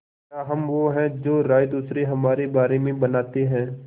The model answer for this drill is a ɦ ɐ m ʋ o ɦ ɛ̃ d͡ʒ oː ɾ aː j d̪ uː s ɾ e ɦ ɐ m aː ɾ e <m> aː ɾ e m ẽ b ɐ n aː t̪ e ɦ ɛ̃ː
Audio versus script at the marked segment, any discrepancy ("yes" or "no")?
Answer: yes